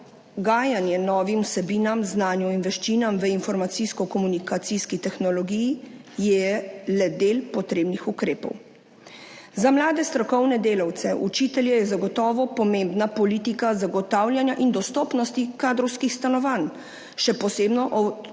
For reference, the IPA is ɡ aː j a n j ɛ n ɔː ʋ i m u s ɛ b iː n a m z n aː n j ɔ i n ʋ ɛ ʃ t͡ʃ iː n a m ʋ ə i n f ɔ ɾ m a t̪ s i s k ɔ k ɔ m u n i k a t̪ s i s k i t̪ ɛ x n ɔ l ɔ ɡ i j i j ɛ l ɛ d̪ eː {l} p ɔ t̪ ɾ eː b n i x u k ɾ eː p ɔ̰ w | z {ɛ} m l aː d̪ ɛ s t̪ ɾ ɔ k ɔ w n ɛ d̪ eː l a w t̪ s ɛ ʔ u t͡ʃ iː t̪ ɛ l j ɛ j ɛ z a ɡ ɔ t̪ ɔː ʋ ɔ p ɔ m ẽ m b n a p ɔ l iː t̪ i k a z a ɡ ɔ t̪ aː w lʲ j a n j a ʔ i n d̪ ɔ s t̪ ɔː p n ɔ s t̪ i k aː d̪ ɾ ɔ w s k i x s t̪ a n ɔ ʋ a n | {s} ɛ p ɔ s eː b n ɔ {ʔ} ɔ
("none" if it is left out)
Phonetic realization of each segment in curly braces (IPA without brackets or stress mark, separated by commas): l, a, ʃ, ʔ